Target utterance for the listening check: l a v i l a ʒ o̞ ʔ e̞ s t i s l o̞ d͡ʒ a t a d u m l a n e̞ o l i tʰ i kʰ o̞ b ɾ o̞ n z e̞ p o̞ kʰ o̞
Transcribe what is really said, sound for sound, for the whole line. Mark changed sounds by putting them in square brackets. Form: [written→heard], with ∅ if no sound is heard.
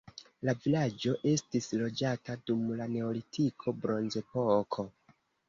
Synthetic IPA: l a v i l a [ʒ→d͡ʒ] o̞ ʔ e̞ s t i s l o̞ d͡ʒ a t a d u m l a n e̞ o l i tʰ i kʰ o̞ b ɾ o̞ n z e̞ p o̞ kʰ o̞